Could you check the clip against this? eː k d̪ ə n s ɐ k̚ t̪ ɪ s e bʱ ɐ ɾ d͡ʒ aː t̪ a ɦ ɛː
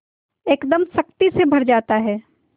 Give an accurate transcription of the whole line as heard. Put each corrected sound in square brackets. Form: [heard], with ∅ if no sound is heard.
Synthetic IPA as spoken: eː k d̪ ə [m] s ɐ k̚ t̪ [i] s e bʱ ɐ ɾ d͡ʒ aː t̪ a ɦ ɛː